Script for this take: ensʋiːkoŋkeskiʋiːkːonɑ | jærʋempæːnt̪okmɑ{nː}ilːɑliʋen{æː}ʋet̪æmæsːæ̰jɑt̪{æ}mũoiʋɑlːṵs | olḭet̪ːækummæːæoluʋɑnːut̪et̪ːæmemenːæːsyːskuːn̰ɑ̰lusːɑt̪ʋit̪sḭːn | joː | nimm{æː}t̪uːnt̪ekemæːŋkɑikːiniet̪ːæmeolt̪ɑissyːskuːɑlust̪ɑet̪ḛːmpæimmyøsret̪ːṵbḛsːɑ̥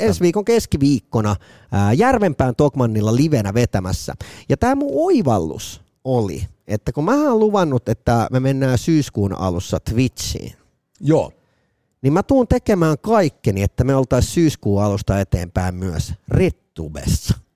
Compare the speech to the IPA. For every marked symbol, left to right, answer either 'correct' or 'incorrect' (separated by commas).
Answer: correct, incorrect, incorrect, incorrect